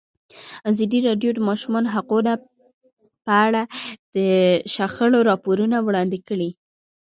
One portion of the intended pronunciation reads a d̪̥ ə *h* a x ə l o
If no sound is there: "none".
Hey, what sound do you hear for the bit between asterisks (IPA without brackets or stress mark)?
ʃ